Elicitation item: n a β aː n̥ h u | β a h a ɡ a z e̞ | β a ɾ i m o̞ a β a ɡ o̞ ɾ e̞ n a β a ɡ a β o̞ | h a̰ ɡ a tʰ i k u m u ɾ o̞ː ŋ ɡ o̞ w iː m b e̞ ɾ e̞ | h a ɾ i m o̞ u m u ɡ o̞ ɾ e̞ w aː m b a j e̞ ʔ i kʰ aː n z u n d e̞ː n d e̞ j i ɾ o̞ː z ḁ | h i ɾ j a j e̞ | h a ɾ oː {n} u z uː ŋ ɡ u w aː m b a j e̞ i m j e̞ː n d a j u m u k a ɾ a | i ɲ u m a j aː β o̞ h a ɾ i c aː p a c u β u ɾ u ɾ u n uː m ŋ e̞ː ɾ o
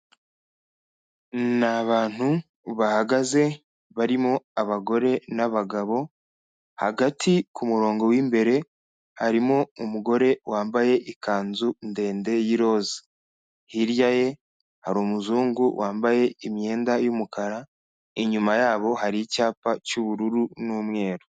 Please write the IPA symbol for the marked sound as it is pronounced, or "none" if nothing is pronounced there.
m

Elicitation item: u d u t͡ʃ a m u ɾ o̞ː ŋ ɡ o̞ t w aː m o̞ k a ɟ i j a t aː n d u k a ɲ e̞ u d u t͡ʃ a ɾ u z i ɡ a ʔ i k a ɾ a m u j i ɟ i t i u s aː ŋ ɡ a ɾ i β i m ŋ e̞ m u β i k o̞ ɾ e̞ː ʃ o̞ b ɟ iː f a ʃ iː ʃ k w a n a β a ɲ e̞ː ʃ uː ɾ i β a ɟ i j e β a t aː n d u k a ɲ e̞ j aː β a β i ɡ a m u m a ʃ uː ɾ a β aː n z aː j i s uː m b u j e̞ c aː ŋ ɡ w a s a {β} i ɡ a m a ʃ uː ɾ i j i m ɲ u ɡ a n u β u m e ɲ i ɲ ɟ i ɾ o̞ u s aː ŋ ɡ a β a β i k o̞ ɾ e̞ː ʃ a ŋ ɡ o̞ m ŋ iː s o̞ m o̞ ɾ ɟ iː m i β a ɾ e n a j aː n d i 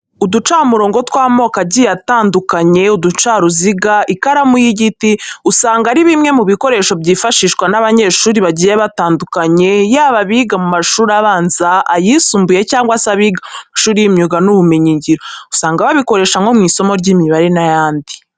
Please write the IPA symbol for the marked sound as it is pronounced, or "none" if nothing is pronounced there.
β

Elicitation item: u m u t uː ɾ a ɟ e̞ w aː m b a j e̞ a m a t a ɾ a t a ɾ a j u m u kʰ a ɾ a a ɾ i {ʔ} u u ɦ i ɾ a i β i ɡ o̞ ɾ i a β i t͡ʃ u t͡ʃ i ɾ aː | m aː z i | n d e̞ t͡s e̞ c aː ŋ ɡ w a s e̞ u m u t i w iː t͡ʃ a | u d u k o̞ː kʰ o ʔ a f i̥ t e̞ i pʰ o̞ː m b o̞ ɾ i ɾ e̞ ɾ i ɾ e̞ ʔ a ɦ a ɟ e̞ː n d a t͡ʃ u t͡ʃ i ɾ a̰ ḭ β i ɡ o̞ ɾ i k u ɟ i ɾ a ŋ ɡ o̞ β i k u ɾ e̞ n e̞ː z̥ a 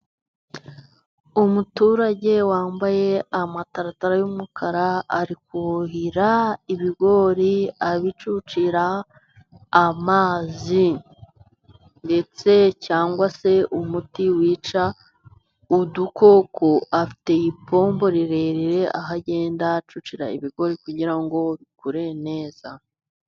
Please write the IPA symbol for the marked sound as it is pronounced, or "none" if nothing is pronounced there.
k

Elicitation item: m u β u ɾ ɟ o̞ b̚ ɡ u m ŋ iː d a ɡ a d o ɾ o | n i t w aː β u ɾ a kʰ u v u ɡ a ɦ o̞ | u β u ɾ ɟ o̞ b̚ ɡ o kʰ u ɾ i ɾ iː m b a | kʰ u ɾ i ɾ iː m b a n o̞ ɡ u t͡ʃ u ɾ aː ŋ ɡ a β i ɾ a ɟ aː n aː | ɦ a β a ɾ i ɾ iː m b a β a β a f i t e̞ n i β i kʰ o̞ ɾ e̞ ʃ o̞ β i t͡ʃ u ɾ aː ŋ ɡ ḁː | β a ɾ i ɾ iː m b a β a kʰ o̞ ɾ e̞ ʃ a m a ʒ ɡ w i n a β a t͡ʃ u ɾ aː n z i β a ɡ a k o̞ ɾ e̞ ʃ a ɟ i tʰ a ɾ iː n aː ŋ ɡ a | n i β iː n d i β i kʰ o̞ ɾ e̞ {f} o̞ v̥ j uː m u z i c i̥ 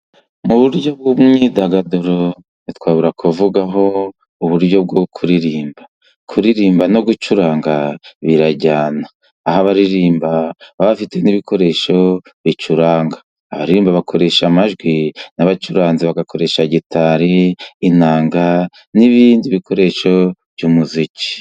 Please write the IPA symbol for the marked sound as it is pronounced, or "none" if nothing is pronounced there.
ʃ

